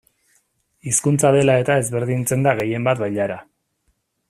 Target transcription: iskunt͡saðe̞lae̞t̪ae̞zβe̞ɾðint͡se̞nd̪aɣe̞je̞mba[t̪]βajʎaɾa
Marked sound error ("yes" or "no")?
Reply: no